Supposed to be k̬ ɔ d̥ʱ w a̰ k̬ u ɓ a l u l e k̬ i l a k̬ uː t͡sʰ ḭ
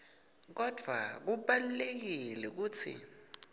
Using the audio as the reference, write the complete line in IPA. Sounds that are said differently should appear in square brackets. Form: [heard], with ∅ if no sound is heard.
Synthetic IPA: k̬ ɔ d̥ʱ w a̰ k̬ u ɓ a l u l e k̬ i l [ɛ] k̬ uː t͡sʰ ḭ